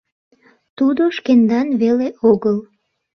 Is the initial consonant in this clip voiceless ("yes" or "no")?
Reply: yes